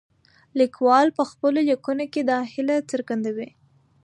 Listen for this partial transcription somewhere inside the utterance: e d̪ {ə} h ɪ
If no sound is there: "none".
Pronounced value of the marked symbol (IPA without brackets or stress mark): ɑ